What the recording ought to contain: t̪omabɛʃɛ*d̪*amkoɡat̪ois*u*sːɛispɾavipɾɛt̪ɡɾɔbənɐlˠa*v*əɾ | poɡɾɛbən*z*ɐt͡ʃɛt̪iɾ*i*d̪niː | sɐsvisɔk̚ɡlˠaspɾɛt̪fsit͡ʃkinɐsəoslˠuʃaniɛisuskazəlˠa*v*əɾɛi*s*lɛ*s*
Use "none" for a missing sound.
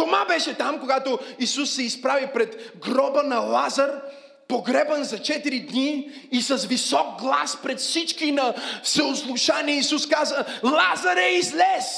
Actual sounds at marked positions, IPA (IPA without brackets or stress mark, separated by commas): t̪, u, z, z, i, z, z, s